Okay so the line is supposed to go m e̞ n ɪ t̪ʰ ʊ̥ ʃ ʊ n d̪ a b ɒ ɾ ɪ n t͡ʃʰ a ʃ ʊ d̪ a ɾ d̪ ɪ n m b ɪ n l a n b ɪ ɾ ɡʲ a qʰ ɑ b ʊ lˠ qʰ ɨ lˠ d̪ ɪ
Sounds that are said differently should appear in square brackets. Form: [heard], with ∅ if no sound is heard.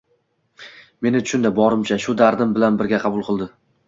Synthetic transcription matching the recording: m e̞ n ɪ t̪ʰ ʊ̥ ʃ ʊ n d̪ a b ɒ ɾ ɪ [m] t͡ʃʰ a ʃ ʊ d̪ a ɾ d̪ ɪ [∅] m b ɪ [∅] l a n b ɪ ɾ ɡʲ a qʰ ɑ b ʊ lˠ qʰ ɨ lˠ d̪ ɪ